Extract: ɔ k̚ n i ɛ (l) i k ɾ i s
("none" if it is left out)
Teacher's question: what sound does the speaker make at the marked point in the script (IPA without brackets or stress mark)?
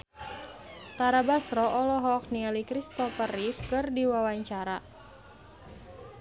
l